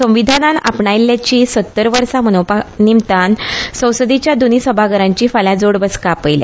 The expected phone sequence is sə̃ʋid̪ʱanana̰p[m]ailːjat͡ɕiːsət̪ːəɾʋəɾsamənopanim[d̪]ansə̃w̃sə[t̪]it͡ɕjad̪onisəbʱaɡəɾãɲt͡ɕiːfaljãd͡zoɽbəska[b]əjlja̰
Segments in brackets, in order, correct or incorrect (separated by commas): incorrect, incorrect, incorrect, incorrect